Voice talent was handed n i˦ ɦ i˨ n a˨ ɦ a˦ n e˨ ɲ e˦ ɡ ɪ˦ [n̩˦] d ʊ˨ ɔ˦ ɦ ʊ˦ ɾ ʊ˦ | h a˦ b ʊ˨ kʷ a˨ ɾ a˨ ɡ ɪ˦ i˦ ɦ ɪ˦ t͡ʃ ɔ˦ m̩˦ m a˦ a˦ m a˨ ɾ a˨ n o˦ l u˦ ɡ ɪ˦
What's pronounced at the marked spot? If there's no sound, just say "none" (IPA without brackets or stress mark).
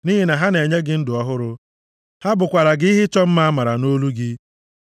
n̩˦